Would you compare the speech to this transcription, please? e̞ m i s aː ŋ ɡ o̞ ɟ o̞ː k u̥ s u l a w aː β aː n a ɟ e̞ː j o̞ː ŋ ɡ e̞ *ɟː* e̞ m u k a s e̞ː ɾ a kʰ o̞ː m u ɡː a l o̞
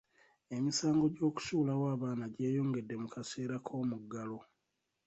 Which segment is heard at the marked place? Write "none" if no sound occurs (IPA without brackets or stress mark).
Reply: dː